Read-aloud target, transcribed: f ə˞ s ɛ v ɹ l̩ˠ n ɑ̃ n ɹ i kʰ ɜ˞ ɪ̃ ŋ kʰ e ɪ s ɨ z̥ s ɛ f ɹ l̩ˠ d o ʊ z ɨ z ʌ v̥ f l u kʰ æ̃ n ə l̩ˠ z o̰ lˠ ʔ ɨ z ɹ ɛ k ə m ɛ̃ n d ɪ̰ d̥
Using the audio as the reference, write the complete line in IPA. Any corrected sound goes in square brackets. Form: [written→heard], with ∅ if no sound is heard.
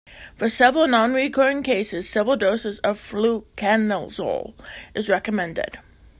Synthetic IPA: f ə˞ s ɛ v ɹ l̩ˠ n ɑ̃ n ɹ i kʰ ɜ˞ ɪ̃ ŋ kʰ e ɪ s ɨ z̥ s ɛ [f→v] ɹ l̩ˠ d o ʊ [z→s] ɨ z ʌ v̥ f l u kʰ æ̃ n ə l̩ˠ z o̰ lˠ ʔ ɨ z ɹ ɛ k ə m ɛ̃ n d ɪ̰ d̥